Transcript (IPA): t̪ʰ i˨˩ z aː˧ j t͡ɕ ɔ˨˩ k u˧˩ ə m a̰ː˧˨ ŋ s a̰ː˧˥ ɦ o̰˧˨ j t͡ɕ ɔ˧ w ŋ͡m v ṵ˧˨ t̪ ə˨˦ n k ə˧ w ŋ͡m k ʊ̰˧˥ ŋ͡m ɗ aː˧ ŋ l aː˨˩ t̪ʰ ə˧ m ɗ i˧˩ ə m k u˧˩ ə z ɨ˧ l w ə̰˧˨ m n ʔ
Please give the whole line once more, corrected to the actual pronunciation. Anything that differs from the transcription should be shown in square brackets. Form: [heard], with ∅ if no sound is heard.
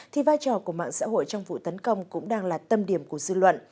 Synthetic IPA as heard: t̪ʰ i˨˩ [v] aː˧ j t͡ɕ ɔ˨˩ k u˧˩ ə m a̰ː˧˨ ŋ s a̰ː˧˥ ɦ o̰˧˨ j t͡ɕ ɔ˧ w ŋ͡m v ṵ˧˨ t̪ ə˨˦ n k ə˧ w ŋ͡m k ʊ̰˧˥ ŋ͡m ɗ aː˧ ŋ l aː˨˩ [t̪] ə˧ m ɗ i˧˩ ə m k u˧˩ ə z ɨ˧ l w ə̰˧˨ [∅] n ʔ